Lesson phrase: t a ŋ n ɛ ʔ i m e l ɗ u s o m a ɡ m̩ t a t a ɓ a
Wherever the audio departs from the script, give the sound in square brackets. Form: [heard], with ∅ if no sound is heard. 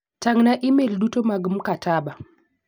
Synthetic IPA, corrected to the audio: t a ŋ n [a] ʔ i m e l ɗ u [t] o m a ɡ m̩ [k] a t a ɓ a